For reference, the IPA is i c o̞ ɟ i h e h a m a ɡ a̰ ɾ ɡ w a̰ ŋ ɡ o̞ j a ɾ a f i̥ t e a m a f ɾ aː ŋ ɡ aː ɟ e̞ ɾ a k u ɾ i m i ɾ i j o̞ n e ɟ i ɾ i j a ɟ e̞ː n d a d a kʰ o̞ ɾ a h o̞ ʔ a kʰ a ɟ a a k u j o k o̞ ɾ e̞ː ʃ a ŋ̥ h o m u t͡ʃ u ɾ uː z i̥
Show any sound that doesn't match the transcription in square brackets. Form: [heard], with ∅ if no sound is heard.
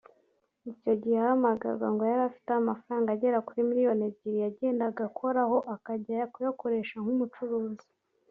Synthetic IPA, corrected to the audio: i c o̞ ɟ i h e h a m a ɡ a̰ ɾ ɡ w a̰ ŋ ɡ o̞ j a ɾ a f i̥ t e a m a f ɾ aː ŋ ɡ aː ɟ e̞ ɾ a k u ɾ i m i ɾ i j o̞ n e ɟ i ɾ i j a ɟ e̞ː n d a [ɡ] a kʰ o̞ ɾ a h o̞ ʔ a [k] a ɟ a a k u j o k o̞ ɾ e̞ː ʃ a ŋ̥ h [u] m u t͡ʃ u ɾ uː z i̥